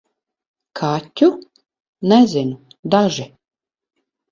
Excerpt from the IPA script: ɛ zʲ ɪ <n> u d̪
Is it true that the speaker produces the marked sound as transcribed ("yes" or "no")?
yes